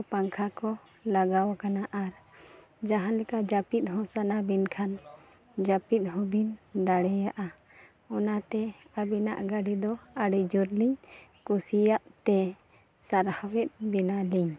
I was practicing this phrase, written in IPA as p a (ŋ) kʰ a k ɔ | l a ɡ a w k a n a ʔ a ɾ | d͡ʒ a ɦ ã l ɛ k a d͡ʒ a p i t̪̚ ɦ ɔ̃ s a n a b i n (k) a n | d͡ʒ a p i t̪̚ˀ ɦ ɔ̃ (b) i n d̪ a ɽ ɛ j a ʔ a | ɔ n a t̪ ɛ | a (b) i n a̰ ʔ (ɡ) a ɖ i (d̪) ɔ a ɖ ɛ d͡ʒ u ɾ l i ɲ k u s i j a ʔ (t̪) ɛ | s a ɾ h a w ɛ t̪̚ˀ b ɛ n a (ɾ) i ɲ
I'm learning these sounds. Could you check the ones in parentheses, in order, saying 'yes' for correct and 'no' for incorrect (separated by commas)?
yes, no, yes, yes, yes, yes, yes, no